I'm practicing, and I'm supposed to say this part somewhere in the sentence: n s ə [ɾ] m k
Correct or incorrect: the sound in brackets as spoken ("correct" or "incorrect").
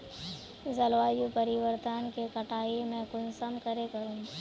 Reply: incorrect